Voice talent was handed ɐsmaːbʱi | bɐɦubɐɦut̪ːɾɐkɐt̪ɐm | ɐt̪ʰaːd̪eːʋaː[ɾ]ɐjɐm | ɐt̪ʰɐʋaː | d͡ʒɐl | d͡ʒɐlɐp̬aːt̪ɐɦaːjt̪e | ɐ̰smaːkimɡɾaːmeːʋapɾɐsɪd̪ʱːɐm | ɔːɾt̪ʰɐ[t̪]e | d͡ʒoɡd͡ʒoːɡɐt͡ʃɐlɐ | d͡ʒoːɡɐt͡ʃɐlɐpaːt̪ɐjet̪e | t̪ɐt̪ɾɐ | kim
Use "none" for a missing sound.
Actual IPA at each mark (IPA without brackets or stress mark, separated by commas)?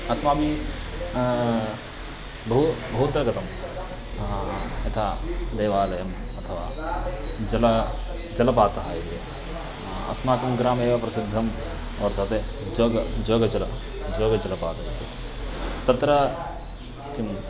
l, t̪